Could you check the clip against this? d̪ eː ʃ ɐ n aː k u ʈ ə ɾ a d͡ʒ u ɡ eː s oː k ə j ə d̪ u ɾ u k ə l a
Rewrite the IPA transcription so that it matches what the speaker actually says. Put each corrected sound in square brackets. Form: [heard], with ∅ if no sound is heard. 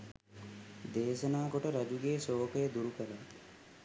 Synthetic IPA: d̪ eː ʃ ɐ n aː k [o] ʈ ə ɾ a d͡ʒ u ɡ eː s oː k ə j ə d̪ u ɾ u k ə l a